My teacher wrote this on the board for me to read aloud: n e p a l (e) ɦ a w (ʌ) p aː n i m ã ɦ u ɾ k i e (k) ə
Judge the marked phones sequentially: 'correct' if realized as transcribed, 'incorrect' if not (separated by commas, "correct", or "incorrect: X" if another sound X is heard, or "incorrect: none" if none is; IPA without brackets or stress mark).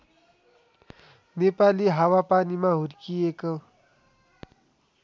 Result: incorrect: i, incorrect: a, correct